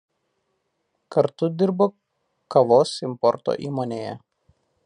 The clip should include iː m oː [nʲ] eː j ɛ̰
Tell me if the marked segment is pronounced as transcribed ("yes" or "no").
yes